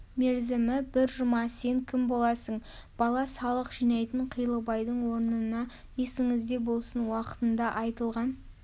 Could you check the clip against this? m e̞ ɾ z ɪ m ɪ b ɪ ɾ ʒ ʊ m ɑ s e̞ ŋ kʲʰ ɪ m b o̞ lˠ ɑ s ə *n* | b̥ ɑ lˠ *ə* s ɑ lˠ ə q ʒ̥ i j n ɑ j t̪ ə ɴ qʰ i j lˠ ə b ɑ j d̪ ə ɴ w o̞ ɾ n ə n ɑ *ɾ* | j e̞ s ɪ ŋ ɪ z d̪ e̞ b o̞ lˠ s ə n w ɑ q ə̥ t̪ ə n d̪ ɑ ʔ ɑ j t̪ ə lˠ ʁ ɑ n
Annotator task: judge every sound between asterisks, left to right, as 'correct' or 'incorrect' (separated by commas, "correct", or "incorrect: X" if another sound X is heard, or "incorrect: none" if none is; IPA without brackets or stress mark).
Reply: incorrect: ɴ, incorrect: ɑ, incorrect: none